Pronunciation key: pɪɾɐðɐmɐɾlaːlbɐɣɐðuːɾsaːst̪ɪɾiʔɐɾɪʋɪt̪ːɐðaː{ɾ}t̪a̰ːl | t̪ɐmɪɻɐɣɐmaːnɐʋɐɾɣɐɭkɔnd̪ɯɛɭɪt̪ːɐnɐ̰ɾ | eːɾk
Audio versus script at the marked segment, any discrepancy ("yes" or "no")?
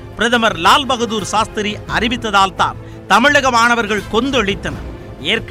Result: yes